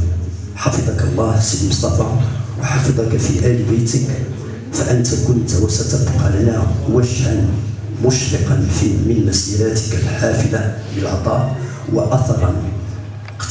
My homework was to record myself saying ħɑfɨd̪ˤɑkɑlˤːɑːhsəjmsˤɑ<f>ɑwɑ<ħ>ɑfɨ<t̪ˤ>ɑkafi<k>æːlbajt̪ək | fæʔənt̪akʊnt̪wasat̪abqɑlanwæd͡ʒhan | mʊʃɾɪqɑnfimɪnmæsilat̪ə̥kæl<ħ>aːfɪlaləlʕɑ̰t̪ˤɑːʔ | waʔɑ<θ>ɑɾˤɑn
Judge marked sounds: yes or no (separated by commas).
yes, yes, no, no, yes, yes